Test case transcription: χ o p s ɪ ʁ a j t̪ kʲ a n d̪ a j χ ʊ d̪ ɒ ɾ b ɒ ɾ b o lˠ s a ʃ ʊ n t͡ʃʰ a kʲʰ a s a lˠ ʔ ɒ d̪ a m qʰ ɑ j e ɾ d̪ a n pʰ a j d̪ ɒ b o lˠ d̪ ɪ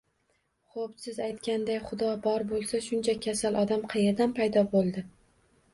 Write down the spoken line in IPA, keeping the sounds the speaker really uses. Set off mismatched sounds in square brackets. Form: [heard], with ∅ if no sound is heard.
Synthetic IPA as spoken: χ o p s ɪ [z] a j t̪ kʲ a n d̪ a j χ ʊ d̪ ɒ [∅] b ɒ ɾ b o lˠ s a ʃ ʊ n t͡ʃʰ a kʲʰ a s a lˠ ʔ ɒ d̪ a m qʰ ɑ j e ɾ d̪ a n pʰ a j d̪ ɒ b o lˠ d̪ ɪ